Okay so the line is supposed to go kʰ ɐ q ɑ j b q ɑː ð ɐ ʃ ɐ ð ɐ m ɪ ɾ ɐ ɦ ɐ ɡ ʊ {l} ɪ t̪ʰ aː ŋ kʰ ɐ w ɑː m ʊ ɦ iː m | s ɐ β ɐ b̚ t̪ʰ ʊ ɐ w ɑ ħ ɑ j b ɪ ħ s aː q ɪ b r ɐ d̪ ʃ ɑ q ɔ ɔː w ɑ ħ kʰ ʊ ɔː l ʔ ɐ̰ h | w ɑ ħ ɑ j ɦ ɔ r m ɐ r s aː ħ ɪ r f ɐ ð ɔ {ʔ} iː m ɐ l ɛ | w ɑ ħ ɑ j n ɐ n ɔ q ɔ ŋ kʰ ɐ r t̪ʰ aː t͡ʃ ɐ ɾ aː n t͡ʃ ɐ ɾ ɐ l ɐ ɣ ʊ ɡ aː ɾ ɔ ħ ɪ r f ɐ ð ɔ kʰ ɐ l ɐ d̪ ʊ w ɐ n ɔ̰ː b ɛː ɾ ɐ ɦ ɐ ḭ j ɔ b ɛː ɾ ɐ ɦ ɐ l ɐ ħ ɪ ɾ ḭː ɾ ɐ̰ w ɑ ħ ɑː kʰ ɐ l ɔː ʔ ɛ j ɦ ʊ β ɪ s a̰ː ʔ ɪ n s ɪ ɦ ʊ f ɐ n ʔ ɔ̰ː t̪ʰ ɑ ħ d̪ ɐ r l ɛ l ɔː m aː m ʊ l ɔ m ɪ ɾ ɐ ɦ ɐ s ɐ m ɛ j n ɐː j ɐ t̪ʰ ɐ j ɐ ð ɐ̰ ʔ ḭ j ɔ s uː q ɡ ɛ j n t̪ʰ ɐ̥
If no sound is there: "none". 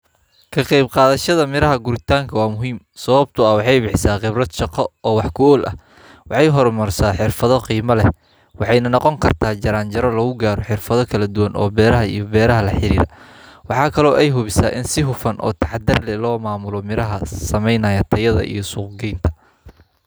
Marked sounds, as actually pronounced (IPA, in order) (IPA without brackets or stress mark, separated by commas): ɾ, q